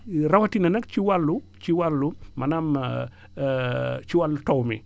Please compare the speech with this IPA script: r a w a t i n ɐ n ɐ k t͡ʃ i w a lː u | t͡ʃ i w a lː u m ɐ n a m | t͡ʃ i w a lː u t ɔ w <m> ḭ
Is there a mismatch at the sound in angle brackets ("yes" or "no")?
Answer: no